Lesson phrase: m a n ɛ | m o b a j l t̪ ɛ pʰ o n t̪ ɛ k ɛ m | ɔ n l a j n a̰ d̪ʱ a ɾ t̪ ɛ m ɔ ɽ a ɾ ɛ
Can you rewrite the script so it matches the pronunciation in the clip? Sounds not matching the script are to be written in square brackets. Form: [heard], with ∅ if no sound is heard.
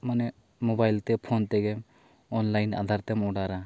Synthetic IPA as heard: m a n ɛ | m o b a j l t̪ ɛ pʰ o n t̪ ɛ [ɡ] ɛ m | ɔ n l a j n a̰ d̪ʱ a ɾ t̪ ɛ m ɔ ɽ a ɾ [a]